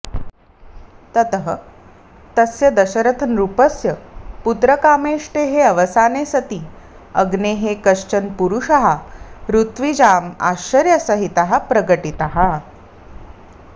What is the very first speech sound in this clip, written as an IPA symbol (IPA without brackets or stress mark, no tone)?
t̪